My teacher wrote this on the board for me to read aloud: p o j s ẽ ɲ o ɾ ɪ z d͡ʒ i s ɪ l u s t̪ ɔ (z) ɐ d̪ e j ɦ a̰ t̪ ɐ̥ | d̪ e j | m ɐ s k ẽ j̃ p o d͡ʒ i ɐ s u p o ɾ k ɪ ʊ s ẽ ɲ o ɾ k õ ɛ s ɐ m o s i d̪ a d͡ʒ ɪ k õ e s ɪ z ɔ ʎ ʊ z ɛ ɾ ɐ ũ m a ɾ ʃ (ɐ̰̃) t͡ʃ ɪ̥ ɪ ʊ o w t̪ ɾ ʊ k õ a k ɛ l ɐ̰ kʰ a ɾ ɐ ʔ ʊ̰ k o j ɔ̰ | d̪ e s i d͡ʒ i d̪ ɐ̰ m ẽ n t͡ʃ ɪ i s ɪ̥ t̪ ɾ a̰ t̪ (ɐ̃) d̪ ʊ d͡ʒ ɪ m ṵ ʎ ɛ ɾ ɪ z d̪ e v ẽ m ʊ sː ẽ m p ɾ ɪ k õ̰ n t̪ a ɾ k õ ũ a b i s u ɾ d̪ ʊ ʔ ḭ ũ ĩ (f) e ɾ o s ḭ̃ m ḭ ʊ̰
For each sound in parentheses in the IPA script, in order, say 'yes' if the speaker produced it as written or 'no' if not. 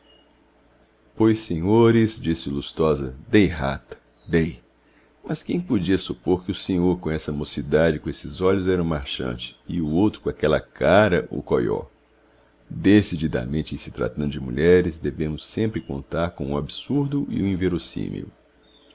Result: yes, yes, yes, no

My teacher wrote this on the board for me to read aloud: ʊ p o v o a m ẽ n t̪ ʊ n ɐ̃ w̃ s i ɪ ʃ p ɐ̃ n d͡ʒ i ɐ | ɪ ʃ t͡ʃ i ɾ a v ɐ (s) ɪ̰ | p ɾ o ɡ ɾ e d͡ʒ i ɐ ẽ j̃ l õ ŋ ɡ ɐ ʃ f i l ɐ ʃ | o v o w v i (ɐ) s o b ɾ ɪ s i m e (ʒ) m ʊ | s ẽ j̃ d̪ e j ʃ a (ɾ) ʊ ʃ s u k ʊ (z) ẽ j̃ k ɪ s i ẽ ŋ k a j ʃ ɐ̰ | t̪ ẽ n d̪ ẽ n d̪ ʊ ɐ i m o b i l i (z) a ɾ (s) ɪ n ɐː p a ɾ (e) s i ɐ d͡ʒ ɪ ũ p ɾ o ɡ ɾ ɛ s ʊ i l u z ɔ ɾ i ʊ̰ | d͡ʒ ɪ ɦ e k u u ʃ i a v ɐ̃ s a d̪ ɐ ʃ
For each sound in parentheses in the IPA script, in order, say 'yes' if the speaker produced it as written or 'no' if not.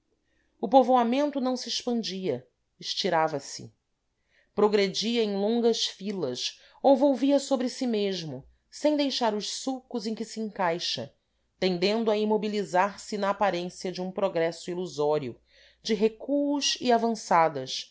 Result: yes, yes, yes, yes, yes, yes, yes, no

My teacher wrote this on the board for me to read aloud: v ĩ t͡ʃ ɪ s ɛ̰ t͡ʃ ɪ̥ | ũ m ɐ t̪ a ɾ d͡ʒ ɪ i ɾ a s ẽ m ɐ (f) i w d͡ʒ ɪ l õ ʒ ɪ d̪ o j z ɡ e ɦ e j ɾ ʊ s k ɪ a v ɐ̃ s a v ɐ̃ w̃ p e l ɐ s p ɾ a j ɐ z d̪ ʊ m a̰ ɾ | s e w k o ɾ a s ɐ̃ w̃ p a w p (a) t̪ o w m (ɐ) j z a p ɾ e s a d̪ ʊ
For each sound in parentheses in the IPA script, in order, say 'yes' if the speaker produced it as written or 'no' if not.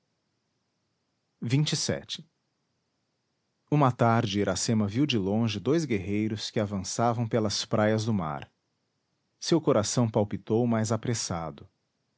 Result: no, no, no

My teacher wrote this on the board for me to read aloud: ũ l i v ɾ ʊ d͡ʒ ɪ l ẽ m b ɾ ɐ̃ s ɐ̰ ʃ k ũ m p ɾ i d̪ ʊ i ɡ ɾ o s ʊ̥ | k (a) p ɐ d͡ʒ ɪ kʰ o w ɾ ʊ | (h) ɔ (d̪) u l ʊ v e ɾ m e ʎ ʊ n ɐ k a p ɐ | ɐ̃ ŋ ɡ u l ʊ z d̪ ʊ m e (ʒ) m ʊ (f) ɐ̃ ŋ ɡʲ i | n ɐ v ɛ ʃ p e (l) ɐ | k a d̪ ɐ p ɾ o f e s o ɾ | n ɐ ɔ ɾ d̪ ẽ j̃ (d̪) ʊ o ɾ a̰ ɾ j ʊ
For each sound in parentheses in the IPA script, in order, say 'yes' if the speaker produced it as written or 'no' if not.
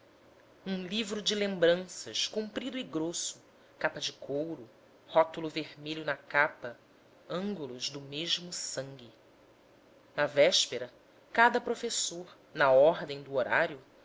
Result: yes, yes, no, yes, no, no, yes

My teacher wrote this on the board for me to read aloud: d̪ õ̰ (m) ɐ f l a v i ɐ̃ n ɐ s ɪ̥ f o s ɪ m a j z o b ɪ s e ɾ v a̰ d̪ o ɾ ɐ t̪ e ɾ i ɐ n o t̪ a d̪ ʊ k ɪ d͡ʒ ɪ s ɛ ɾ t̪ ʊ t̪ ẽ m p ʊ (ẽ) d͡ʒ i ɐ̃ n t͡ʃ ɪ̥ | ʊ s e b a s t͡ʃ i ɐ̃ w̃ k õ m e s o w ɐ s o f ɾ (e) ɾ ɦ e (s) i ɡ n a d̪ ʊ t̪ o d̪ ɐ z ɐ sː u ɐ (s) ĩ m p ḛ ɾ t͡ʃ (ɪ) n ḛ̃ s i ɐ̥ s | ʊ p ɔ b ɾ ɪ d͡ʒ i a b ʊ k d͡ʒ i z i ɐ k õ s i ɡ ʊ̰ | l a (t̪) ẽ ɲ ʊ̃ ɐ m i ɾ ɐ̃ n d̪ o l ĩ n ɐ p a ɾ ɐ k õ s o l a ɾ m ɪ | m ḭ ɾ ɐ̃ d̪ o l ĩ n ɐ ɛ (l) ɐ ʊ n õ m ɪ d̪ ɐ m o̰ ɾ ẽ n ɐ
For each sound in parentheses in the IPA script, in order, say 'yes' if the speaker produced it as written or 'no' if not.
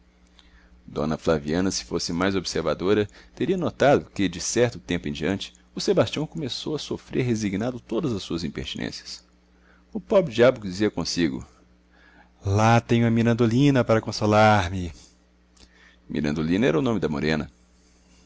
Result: no, yes, yes, no, no, no, yes, no

